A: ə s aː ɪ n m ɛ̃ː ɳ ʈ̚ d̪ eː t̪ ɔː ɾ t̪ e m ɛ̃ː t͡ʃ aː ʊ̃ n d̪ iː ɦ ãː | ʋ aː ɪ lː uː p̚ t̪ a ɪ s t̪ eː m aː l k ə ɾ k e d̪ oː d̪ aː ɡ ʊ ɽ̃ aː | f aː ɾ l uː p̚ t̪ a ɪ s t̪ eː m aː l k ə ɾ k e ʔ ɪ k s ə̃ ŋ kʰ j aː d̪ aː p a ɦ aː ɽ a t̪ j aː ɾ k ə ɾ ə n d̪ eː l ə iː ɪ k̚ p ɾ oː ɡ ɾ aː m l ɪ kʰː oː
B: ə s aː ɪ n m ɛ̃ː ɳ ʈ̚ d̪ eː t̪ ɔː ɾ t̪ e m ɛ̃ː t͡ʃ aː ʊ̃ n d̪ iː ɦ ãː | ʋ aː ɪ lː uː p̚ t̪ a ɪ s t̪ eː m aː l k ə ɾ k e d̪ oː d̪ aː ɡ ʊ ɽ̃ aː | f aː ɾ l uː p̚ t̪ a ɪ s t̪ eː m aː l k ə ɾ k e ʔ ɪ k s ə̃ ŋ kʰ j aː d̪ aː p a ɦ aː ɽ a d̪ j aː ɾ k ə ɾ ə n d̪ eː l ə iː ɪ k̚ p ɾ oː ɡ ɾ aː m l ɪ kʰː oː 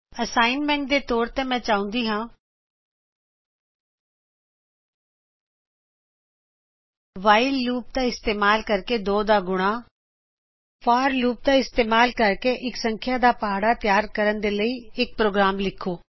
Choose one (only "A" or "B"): A